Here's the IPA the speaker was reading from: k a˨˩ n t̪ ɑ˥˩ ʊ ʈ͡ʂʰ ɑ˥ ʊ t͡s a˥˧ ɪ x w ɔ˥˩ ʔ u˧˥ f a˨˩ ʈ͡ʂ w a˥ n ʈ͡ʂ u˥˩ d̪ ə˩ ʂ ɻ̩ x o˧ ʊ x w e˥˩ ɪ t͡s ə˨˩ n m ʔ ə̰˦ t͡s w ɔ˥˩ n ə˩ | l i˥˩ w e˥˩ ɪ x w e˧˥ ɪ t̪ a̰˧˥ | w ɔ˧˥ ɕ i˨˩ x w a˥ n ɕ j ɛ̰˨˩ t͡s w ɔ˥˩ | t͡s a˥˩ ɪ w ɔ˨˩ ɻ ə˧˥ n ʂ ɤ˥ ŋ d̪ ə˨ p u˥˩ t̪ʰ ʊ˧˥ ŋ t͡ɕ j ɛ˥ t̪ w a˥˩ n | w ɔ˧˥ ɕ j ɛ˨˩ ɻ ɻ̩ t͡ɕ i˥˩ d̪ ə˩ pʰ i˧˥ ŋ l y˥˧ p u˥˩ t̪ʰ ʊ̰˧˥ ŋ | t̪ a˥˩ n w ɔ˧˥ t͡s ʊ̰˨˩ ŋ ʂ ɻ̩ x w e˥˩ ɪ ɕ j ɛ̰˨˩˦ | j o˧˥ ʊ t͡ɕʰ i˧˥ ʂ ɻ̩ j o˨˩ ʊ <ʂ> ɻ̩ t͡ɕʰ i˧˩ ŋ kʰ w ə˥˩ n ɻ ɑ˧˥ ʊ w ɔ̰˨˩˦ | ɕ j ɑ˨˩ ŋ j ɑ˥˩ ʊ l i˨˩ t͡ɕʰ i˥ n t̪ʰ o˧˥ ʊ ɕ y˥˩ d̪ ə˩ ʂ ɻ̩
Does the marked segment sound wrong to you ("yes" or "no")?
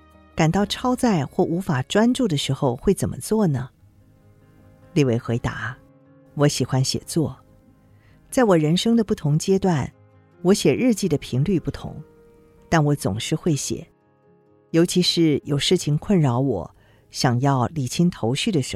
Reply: no